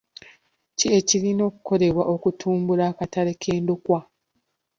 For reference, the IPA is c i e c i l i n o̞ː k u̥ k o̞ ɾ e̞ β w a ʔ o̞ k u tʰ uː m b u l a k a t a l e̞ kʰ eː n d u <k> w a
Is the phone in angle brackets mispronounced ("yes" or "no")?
no